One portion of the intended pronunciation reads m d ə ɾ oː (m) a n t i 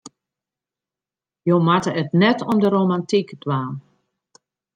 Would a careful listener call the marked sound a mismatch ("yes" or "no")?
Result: no